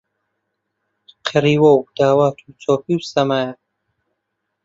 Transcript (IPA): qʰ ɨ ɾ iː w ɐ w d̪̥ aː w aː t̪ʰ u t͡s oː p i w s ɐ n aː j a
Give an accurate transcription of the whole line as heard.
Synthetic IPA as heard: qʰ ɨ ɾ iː w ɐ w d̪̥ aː w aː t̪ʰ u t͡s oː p i w s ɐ m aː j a